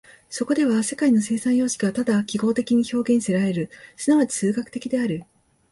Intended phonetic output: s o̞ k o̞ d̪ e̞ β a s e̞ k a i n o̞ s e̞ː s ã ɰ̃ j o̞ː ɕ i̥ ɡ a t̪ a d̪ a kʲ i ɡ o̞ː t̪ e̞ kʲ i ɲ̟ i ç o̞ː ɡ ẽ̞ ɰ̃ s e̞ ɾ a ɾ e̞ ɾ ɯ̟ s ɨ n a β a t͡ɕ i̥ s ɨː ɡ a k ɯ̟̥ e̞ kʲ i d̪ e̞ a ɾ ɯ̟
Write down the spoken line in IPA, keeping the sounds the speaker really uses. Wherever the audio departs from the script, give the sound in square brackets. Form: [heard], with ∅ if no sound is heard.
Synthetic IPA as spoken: s o̞ k o̞ d̪ e̞ β a s e̞ k a i n o̞ s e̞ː s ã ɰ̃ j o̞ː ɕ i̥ ɡ a t̪ a d̪ a kʲ i ɡ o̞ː t̪ e̞ kʲ i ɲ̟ i ç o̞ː ɡ ẽ̞ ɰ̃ s e̞ ɾ a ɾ e̞ ɾ ɯ̟ s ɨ n a β a t͡ɕ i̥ s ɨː ɡ a k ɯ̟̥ e̞ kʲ i d̪ e̞ a ɾ ɯ̟